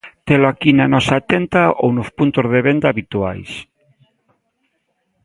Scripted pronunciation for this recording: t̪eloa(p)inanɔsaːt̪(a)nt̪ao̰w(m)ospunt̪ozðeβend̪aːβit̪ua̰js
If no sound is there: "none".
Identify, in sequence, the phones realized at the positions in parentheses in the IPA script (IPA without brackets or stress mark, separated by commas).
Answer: k, e, n